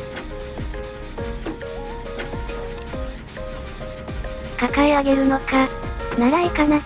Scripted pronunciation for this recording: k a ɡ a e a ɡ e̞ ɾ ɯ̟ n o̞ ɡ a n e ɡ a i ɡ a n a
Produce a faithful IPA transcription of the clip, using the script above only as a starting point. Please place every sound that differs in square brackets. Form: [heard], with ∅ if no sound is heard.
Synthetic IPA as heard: k a [k] a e a ɡ e̞ ɾ ɯ̟ n o̞ [k] a n [a] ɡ a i [k] a n a